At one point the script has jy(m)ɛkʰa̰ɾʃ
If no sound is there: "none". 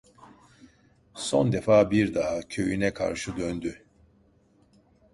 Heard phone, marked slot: n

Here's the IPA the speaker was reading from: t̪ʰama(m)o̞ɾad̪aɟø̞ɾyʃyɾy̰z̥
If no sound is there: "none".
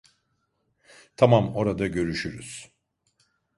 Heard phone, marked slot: m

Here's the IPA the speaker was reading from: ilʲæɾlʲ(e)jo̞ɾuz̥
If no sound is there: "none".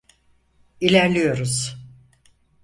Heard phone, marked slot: i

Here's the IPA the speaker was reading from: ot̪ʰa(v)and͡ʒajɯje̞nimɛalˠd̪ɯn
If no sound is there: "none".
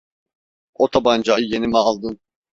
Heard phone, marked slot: b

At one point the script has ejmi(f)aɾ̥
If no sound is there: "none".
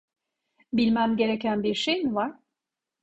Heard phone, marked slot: v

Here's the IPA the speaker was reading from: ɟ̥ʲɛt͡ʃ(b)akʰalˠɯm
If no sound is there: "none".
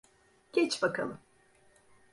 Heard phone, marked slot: b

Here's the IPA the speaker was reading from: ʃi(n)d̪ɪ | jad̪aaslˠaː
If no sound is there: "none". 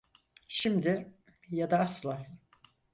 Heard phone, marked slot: m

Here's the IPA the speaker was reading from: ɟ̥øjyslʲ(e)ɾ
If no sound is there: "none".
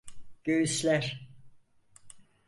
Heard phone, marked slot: æ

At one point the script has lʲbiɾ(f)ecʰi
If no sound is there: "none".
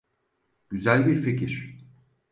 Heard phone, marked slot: f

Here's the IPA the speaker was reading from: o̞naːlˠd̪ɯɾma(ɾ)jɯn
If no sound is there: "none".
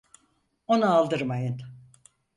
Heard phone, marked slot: none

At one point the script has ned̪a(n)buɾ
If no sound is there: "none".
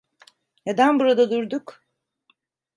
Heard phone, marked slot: n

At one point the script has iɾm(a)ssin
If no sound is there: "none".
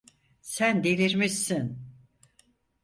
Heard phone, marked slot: i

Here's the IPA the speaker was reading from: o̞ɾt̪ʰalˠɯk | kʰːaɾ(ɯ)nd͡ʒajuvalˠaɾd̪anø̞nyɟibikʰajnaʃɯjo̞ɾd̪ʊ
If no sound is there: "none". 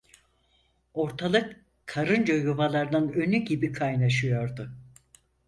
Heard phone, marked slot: ɯ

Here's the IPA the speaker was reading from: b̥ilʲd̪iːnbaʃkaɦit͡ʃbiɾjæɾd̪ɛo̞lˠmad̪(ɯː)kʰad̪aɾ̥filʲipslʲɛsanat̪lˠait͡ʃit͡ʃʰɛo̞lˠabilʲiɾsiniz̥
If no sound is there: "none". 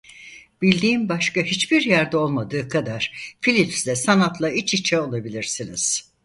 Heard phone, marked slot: ɯː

